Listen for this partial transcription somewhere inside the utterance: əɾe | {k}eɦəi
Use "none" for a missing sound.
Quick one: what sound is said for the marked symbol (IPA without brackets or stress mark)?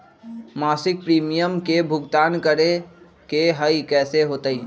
k